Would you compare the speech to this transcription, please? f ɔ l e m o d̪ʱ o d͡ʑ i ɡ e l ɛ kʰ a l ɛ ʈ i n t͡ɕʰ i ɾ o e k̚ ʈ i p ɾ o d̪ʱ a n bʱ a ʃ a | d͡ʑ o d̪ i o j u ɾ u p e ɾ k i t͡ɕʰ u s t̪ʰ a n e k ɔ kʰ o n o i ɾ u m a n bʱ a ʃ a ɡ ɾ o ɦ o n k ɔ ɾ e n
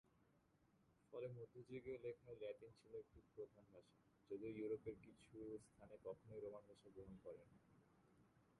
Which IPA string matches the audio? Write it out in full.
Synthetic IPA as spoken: f ɔ l e m o d̪ʱ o d͡ʑ i ɡ e l e kʰ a l ɛ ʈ i n t͡ɕʰ i l o e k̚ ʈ i p ɾ o d̪ʱ a n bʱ a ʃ a | d͡ʑ o d̪ i o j u ɾ o p e ɾ k i t͡ɕʰ u s t̪ʰ a n e k ɔ kʰ o n o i ɾ o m a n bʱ a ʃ a ɡ ɾ o ɦ o n k ɔ ɾ e n